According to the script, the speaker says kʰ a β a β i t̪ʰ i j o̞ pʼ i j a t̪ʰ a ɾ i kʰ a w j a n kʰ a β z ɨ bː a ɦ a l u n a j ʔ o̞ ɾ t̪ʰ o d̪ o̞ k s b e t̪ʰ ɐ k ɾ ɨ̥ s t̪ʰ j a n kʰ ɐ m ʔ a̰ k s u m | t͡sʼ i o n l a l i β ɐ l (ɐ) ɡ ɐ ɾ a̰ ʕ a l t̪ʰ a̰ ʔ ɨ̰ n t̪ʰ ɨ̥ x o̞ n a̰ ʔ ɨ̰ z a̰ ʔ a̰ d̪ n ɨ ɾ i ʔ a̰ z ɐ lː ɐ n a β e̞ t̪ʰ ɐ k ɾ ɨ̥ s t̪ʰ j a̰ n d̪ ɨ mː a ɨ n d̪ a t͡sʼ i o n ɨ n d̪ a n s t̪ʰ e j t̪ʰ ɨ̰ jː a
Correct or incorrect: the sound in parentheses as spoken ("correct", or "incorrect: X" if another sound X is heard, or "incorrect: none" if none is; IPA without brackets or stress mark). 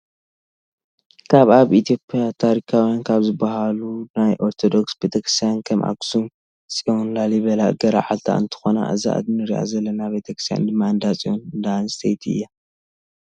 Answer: incorrect: a